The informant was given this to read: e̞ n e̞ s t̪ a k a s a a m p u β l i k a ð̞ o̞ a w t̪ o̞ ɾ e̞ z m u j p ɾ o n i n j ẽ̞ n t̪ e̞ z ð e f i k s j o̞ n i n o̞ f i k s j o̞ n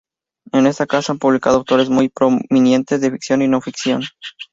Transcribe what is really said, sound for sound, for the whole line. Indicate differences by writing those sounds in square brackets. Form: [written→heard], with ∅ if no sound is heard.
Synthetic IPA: e̞ n e̞ s t̪ a k a s a a m p u β l i k a ð̞ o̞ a w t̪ o̞ ɾ e̞ z m u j p ɾ o [n→m] i n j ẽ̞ n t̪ e̞ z ð e f i k s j o̞ n i n o̞ f i k s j o̞ n